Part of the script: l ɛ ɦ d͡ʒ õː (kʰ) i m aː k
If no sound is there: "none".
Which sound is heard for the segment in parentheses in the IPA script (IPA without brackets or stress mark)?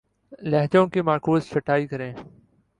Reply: k